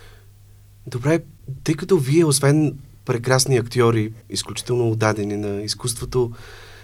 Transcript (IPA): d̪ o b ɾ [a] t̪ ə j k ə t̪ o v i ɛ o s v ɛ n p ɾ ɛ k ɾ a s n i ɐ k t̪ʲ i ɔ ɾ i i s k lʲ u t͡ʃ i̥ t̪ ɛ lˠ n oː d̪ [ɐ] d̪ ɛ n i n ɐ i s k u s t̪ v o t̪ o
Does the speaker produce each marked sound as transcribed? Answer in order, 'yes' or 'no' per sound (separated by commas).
no, no